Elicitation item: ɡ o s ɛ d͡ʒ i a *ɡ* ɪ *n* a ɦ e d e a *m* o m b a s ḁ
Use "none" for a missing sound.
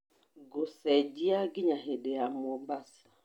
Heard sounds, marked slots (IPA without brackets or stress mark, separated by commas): ɡ, ɲ, m